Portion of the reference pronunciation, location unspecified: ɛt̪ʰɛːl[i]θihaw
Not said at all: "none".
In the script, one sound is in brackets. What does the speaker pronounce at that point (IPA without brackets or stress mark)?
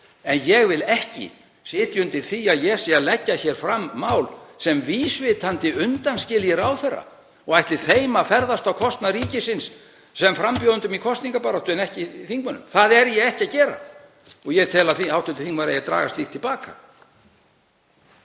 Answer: a